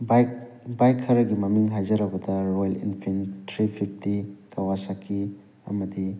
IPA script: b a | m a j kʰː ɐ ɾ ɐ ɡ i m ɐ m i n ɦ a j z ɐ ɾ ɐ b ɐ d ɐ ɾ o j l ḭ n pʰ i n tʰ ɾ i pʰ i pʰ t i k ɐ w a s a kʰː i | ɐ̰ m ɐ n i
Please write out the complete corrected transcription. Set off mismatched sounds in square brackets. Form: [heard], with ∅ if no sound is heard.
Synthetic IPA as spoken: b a | [b] a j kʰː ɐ ɾ ɐ ɡ i m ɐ m i [ŋ] ɦ a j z ɐ ɾ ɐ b ɐ d ɐ ɾ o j l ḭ n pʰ i n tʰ ɾ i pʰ i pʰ t i k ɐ w a s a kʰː i | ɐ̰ m ɐ [d] i

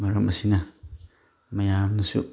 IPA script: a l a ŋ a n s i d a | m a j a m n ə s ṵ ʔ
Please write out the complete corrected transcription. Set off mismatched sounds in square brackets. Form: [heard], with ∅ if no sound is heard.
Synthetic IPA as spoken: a [ɾ] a [m] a [∅] s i [n] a | m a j a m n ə s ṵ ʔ

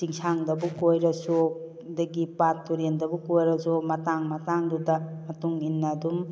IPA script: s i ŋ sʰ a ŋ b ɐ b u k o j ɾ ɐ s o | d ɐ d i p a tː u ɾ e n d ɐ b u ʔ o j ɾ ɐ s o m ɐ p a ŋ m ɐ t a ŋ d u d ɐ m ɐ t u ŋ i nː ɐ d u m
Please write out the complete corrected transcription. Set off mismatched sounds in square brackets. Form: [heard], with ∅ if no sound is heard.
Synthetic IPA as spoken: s i ŋ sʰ a ŋ [d] ɐ b u k o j ɾ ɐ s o | d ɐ [ɡ] i p a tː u ɾ e n d ɐ b u [k] o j ɾ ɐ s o m ɐ [t] a ŋ m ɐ t a ŋ d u d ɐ m ɐ t u ŋ i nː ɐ d u m

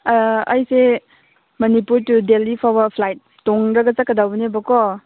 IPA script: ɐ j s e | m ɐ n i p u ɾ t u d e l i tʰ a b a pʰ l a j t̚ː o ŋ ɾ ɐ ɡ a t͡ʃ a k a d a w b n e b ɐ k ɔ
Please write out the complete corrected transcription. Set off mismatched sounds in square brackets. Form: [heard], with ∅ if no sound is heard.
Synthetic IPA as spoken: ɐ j s e | m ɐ n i p u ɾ t u d e l i [pʰ] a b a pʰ l a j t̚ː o ŋ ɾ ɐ ɡ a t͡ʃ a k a d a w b n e b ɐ k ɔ

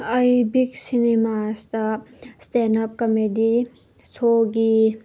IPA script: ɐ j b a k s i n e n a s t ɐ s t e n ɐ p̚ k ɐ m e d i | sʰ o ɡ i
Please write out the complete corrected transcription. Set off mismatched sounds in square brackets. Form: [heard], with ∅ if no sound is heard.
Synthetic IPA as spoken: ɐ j b [i] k s i n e [m] a s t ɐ s t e n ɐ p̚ k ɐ m e d i | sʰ o ɡ i

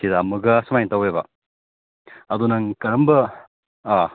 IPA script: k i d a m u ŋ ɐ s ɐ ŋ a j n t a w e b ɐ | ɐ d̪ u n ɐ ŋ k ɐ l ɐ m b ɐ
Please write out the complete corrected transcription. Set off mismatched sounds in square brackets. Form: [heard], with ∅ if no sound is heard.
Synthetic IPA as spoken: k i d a m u [ɡ] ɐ s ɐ [m] a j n t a w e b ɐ | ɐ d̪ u n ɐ ŋ k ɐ [ɾ] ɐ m b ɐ

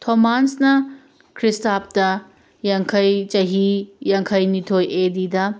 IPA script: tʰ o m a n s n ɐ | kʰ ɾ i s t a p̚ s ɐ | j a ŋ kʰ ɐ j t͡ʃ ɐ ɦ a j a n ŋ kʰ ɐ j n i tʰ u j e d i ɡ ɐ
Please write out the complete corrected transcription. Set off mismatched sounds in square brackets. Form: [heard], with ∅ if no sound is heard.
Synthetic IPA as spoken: tʰ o m a n s n ɐ | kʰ ɾ i s t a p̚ [t] ɐ | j a ŋ kʰ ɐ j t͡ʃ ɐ ɦ [i] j a [∅] ŋ kʰ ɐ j n i tʰ [o] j e d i [d] ɐ

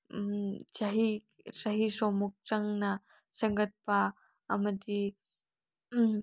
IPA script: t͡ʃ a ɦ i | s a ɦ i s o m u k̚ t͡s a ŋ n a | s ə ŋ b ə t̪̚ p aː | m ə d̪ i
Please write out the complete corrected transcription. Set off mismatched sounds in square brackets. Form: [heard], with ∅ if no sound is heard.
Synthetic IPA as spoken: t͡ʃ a ɦ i | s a ɦ i s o m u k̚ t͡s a ŋ n a | s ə ŋ [ɡ] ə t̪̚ p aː | m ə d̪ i

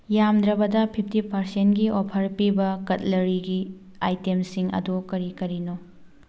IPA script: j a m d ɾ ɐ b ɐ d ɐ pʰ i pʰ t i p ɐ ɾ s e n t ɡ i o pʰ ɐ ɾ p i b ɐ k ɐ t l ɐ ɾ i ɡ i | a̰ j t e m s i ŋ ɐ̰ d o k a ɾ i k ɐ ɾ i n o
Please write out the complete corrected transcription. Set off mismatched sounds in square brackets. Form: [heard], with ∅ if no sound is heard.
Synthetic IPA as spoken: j a m d ɾ ɐ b ɐ d ɐ pʰ i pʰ t i p ɐ ɾ s e n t ɡ i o pʰ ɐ ɾ p i b ɐ k ɐ t l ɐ ɾ i ɡ i | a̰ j t e m s i ŋ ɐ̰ d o k [ɐ] ɾ i k ɐ ɾ i n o

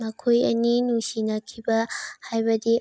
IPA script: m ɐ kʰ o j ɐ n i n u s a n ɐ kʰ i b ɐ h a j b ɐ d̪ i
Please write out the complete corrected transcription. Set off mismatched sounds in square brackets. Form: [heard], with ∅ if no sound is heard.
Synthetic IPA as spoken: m ɐ kʰ o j ɐ n i n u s [i] n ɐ kʰ i b ɐ h a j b ɐ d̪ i

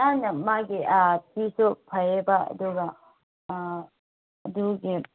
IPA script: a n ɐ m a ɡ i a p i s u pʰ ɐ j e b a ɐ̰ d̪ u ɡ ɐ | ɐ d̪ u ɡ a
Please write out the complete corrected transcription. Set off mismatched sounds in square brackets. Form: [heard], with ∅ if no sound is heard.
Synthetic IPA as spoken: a n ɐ m a ɡ i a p i s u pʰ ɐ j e b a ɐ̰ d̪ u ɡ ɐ | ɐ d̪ u ɡ [i]

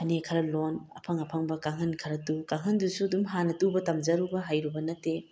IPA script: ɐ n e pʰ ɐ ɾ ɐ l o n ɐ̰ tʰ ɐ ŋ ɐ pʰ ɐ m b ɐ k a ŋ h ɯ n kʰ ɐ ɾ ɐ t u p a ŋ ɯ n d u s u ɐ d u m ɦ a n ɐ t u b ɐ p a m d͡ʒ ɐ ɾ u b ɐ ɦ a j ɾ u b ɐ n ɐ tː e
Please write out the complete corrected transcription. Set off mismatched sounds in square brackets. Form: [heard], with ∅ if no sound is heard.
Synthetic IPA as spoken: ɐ n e [kʰ] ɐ ɾ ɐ l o n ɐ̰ [pʰ] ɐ ŋ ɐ pʰ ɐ [ŋ] b ɐ k a ŋ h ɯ n kʰ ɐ ɾ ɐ t u [k] a ŋ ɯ n d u s u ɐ d u m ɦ a n ɐ t u b ɐ [t] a m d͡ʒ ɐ ɾ u b ɐ ɦ a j ɾ u b ɐ n ɐ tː e

